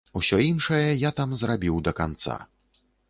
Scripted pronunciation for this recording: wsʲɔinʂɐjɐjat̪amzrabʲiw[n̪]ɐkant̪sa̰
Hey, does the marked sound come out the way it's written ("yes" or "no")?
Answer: no